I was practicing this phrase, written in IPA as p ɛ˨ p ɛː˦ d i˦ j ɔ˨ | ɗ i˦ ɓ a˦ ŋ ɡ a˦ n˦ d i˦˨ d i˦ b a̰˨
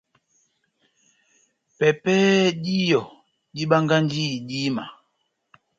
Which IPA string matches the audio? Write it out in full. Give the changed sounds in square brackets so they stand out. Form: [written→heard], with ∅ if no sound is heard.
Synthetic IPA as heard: p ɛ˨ p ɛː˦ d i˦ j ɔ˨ | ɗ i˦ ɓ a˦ ŋ ɡ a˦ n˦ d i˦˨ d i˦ [b→m] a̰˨